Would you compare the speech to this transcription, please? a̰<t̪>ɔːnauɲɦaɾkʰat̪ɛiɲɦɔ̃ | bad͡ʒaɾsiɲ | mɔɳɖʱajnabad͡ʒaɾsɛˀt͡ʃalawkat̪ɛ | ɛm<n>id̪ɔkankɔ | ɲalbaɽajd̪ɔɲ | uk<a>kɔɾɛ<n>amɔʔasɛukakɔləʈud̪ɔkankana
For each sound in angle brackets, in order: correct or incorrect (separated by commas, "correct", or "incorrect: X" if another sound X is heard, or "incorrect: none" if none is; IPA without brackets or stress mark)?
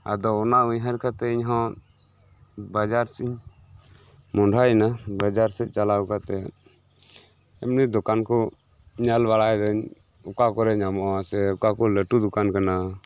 incorrect: d̪, correct, correct, incorrect: ɲ